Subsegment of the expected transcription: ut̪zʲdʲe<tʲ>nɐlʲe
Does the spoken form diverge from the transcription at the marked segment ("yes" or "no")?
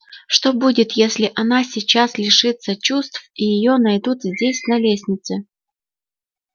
yes